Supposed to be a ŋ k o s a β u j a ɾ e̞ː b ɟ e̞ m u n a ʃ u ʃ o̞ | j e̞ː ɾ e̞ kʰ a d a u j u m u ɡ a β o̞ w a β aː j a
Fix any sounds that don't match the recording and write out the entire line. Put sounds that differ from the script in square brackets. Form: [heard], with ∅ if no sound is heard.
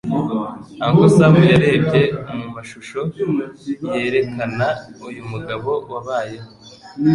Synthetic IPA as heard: a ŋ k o s a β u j a ɾ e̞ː b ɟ e̞ m u [m] a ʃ u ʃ o̞ | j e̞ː ɾ e̞ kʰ a [n] a u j u m u ɡ a β o̞ w a β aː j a